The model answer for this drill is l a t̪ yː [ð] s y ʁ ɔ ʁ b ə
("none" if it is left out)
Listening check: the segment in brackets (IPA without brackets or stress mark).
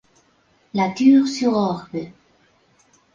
ʁ